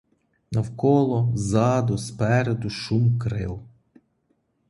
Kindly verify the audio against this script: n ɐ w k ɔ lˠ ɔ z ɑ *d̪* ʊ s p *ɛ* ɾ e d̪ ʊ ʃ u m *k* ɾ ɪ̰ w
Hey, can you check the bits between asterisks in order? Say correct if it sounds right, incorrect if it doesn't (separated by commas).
correct, correct, correct